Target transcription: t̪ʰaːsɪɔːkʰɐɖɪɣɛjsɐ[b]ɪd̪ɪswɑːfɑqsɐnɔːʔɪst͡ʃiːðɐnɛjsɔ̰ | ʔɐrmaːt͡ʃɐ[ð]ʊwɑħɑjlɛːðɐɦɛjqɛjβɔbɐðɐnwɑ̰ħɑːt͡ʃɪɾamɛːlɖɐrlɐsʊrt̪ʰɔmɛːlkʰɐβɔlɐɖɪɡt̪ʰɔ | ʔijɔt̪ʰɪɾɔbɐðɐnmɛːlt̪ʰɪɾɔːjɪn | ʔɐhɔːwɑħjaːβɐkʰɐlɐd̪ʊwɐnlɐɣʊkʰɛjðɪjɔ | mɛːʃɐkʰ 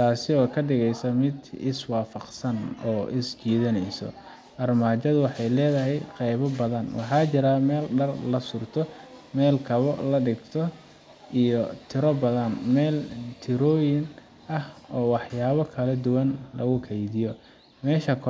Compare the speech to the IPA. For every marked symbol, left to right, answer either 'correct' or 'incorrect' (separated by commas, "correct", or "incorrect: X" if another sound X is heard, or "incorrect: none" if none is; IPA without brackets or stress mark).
incorrect: m, correct